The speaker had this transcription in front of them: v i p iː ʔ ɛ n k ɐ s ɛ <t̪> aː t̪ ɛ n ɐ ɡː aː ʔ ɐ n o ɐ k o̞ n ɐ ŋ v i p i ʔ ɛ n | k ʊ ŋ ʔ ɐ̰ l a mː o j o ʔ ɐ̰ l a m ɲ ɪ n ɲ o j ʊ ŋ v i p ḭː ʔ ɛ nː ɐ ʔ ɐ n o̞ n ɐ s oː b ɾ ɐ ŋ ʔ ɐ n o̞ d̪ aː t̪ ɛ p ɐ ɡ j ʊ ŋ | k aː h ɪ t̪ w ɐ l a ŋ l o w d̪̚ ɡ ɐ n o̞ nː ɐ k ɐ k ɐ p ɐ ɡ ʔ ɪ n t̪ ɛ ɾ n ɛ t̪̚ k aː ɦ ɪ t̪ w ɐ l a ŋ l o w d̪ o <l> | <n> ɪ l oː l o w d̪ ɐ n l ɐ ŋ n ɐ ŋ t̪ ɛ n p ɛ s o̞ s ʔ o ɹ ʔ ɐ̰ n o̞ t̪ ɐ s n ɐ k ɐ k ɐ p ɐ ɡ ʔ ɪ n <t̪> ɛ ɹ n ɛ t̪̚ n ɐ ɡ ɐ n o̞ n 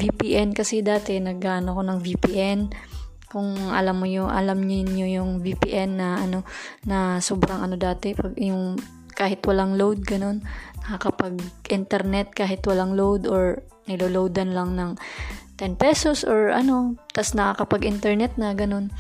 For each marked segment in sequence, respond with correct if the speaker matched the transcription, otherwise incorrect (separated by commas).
incorrect, incorrect, correct, correct